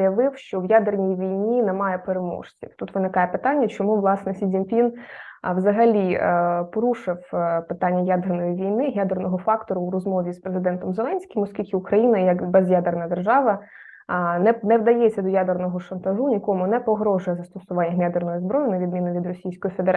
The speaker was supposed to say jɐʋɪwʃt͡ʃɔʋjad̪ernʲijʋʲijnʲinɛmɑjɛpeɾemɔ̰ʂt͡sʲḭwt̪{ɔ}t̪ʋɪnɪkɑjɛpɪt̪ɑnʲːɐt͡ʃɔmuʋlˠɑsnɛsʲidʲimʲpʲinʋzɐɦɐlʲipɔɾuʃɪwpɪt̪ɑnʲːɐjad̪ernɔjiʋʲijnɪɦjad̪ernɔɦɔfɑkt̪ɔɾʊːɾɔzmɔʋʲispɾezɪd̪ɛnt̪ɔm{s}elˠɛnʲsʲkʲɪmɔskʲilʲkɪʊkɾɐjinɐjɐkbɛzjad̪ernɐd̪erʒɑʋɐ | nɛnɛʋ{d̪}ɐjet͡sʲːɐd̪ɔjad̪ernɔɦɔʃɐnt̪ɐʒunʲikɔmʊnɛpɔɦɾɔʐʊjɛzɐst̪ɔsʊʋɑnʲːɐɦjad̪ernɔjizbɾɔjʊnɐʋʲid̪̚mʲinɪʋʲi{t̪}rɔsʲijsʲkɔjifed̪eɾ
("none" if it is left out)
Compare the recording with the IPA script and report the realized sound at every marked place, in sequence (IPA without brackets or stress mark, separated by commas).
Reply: u, z, d̪, d̪